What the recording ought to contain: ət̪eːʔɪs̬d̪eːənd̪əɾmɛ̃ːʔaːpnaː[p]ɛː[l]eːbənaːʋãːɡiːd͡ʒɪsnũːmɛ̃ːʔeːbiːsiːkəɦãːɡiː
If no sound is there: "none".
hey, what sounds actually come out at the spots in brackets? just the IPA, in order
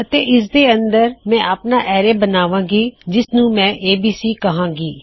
ʔ, ɾ

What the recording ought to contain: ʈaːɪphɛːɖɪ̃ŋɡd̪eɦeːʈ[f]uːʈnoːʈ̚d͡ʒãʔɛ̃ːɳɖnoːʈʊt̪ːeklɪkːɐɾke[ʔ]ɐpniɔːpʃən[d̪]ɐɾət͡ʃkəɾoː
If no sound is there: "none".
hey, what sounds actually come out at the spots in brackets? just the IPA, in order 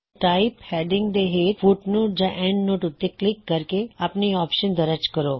f, none, d̪

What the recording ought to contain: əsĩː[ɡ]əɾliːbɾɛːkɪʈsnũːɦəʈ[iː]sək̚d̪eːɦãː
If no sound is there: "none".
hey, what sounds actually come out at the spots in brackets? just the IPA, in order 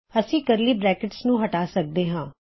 k, aː

